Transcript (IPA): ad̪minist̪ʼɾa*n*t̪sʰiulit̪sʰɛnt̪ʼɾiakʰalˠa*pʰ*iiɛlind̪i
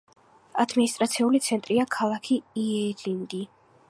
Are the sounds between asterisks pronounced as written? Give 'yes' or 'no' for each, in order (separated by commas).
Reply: no, no